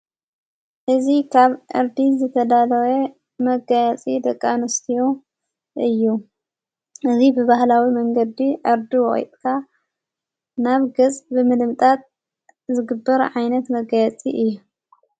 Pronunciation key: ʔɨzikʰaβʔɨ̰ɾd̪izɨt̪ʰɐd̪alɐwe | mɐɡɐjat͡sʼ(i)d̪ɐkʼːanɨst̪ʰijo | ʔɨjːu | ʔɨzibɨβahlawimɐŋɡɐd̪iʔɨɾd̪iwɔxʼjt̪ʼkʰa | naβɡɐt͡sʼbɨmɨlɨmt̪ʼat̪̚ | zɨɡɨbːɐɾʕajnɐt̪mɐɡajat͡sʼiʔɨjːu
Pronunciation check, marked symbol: correct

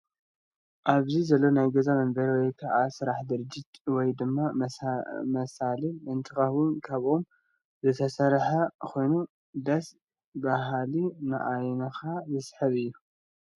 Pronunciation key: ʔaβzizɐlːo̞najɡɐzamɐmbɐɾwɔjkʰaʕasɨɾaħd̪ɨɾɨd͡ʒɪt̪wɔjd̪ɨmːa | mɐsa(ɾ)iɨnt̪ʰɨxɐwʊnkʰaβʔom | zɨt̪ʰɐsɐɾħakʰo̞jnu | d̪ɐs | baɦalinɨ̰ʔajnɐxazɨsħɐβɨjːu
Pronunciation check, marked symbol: incorrect: l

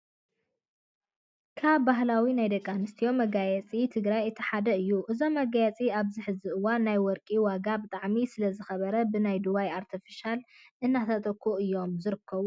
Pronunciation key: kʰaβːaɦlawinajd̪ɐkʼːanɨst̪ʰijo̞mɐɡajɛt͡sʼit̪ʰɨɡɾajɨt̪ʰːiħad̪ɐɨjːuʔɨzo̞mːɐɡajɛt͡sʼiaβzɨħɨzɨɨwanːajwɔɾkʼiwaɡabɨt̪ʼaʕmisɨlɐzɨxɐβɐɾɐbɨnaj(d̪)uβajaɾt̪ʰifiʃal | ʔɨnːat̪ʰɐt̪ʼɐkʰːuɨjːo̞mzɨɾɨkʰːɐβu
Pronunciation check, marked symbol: correct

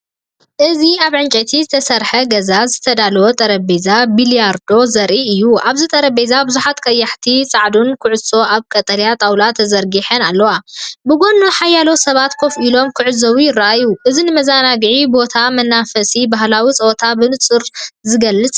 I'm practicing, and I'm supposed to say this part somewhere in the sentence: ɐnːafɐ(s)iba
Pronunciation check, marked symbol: correct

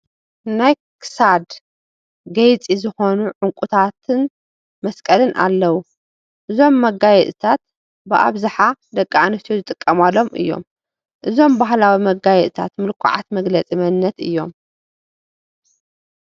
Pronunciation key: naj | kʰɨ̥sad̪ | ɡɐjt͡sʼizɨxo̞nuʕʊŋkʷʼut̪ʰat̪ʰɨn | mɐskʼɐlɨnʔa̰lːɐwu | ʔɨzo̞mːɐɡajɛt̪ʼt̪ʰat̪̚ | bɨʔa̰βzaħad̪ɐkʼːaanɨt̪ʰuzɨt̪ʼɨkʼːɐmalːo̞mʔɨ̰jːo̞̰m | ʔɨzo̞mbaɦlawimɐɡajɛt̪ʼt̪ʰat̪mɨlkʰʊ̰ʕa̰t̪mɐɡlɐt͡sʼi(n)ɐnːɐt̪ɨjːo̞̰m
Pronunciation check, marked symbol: incorrect: m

